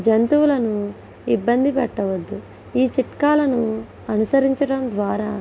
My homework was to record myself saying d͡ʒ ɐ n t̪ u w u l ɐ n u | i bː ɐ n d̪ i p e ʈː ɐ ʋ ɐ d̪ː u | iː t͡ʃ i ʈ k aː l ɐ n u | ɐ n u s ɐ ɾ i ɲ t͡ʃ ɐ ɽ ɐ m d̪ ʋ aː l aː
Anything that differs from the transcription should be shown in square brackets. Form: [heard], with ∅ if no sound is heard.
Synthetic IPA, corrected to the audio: d͡ʒ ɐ n t̪ u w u l ɐ n u | i bː ɐ n d̪ i p [ɛ] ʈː ɐ ʋ ɐ d̪ː u | iː t͡ʃ i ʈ k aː l ɐ n u | ɐ n u s ɐ ɾ i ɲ t͡ʃ ɐ ɽ ɐ m d̪ ʋ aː [ɾ] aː